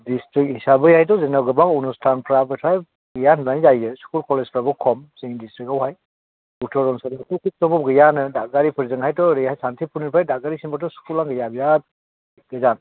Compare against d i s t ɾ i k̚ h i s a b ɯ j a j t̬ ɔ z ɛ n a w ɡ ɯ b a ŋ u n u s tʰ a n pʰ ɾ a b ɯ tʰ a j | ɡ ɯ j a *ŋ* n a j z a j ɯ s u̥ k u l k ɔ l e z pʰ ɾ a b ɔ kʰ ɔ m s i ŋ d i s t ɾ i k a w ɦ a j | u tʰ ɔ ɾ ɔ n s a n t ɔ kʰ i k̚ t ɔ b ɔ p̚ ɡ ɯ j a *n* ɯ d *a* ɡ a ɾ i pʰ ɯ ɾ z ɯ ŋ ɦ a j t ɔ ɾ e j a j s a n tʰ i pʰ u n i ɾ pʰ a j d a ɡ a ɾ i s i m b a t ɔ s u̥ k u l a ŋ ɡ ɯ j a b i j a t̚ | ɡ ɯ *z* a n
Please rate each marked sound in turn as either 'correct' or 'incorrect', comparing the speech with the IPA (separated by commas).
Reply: incorrect, correct, correct, correct